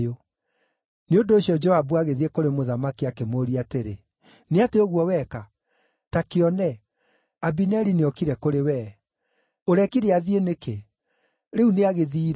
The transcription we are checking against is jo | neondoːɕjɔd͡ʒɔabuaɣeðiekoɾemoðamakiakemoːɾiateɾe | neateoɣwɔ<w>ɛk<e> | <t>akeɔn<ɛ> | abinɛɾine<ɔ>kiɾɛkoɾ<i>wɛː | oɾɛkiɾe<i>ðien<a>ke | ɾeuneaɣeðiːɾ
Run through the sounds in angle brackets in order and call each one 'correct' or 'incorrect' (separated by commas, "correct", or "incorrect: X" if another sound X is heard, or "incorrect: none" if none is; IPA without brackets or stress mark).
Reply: correct, incorrect: a, correct, correct, correct, incorrect: e, incorrect: a, incorrect: e